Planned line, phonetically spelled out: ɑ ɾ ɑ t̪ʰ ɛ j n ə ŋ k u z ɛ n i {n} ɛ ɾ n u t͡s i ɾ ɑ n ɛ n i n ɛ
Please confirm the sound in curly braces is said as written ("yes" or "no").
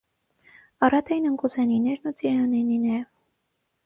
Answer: yes